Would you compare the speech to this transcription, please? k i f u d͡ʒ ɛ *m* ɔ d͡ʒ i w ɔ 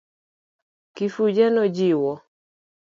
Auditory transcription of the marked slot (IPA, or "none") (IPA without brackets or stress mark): n